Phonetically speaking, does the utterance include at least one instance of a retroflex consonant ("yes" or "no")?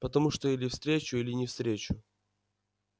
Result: yes